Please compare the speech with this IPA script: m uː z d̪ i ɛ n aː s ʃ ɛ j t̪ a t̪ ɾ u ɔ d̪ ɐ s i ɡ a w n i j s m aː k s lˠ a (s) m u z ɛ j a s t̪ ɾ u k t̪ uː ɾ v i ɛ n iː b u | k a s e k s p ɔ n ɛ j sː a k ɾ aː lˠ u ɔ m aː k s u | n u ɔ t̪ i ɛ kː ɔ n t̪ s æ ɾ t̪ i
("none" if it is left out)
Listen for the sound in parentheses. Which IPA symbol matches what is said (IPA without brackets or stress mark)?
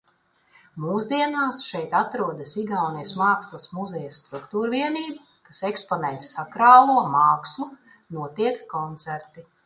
s